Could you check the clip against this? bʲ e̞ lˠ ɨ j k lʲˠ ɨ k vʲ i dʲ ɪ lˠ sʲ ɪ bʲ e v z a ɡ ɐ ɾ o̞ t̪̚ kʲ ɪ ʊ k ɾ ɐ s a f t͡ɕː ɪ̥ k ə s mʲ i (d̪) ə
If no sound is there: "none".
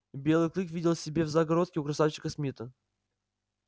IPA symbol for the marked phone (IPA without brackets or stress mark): t̪